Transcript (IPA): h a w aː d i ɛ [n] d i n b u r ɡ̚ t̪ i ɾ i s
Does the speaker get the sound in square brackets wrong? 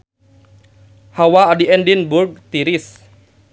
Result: no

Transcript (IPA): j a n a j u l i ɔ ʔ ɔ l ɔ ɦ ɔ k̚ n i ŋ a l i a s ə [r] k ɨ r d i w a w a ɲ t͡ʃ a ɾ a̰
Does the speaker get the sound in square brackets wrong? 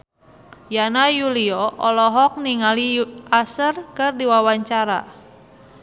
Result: no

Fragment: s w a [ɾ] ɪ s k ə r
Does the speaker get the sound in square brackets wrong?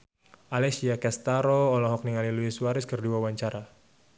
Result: no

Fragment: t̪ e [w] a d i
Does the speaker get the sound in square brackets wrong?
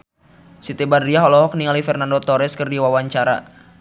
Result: yes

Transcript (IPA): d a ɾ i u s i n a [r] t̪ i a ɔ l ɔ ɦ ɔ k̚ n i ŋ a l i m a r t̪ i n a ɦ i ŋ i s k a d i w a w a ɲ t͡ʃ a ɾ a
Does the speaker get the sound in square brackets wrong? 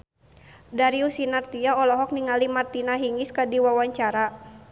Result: no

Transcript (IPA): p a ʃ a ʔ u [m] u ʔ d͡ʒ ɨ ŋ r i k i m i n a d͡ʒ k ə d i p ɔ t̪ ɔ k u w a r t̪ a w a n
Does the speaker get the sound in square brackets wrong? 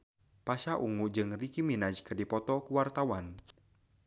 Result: yes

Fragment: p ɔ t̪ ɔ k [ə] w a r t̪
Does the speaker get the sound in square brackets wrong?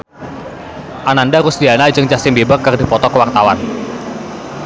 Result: no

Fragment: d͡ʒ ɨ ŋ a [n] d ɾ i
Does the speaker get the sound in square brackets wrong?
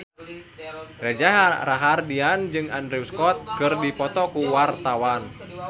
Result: no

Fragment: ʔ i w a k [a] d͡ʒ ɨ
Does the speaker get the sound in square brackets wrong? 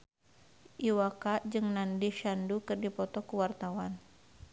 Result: no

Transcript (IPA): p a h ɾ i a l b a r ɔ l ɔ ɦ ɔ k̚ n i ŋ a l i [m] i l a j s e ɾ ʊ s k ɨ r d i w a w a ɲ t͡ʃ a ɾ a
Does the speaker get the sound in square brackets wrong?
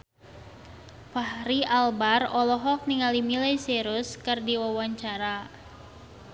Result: no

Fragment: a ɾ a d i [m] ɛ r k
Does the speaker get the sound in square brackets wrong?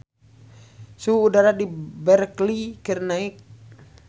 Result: yes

